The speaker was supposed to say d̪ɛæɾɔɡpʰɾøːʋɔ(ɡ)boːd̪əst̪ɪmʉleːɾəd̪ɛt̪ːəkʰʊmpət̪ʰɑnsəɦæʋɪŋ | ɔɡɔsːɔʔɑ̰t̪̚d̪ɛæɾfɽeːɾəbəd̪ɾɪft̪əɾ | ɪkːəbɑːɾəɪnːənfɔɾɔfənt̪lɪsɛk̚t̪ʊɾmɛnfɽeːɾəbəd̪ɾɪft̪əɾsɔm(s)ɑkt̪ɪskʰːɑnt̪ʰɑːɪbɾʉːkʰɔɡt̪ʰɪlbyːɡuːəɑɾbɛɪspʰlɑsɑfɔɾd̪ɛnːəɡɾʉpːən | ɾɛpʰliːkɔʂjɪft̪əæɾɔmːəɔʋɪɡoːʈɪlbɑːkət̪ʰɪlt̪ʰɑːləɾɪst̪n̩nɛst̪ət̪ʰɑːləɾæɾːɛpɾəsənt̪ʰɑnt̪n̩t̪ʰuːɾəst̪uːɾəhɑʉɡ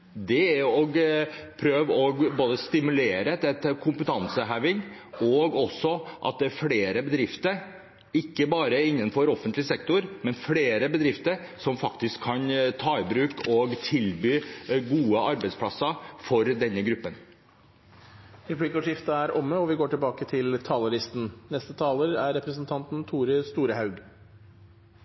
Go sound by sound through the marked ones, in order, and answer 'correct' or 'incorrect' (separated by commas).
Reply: correct, incorrect